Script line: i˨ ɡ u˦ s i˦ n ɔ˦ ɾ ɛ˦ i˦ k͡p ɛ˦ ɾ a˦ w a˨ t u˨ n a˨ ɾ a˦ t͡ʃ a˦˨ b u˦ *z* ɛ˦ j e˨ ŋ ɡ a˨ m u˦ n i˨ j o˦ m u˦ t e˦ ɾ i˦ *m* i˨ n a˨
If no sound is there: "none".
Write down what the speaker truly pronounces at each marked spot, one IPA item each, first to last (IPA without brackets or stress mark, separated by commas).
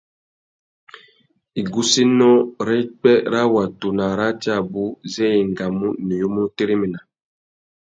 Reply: z, m